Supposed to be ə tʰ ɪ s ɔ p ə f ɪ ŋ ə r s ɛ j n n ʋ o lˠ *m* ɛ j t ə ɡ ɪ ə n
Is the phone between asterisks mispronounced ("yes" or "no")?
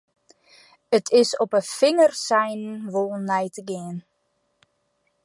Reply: yes